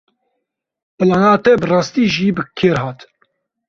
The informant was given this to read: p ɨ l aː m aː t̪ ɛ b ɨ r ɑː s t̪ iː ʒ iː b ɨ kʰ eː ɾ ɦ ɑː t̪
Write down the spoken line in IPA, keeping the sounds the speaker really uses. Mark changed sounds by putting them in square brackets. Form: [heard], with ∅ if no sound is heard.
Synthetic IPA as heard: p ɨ l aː [n] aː t̪ ɛ b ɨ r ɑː s t̪ iː ʒ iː b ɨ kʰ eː ɾ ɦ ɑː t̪